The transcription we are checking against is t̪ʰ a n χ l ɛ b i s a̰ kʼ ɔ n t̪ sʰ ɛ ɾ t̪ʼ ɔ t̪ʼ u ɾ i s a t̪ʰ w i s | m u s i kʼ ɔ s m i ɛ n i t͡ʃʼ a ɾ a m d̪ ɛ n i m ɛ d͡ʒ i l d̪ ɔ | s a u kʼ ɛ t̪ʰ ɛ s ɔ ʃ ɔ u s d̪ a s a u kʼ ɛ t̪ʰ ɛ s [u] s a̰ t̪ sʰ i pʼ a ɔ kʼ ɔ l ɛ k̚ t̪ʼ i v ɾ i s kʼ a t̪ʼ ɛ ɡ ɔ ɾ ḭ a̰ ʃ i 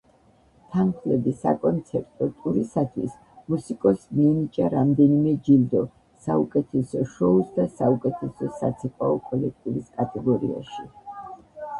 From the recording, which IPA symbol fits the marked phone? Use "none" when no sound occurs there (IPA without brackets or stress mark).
ɔ